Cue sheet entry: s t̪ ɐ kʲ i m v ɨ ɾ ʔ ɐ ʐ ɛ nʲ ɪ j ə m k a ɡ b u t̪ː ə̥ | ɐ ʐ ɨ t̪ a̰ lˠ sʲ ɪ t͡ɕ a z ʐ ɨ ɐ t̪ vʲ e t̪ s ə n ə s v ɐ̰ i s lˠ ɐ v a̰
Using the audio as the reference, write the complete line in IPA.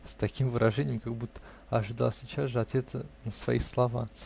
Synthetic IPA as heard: s t̪ ɐ kʲ i m v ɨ ɾ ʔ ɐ ʐ ɛ nʲ ɪ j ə m k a ɡ b u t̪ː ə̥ | ɐ ʐ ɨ d̪ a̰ lˠ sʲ ɪ t͡ɕ a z ʐ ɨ ɐ t̪ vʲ e t̪ s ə n ə s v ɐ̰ i s lˠ ɐ v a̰